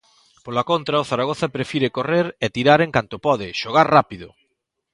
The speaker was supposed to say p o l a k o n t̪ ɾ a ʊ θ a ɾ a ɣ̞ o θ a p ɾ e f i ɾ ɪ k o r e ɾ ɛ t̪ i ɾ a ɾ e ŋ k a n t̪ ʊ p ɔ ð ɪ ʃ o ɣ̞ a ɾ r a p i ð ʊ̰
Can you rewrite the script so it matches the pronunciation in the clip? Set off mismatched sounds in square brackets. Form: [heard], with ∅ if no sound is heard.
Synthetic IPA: p o l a k o n t̪ ɾ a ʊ θ a ɾ a ɣ̞ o θ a p ɾ e f i ɾ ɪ k o r e ɾ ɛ t̪ i ɾ a ɾ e ŋ k a n t̪ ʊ p ɔ ð ɪ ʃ o ɣ̞ a ɾ r a p i ð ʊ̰